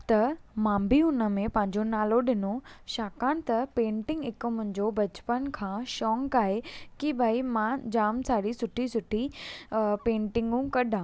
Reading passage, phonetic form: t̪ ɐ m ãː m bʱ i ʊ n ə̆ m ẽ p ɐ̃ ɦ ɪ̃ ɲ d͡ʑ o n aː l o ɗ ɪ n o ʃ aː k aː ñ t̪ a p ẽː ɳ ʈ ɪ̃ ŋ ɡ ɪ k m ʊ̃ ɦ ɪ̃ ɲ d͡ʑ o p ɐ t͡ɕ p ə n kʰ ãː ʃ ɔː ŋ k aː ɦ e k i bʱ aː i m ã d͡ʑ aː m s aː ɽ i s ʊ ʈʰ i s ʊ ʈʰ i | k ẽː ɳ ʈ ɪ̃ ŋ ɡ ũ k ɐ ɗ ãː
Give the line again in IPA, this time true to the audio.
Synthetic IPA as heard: t̪ ɐ m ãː m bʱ i ʊ n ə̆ m ẽ p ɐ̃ ɦ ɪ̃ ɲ d͡ʑ o n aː l o ɗ ɪ n o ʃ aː k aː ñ t̪ ɐ p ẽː ɳ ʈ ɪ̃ ŋ ɡ ɪ k m ʊ̃ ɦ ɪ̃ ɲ d͡ʑ o b ɐ t͡ɕ p ə n kʰ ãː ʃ ɔː ŋ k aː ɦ e k i bʱ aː i m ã d͡ʑ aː m s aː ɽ i s ʊ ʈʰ i s ʊ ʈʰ i | p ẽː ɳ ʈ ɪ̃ ŋ ɡ ũ k ɐ ɗ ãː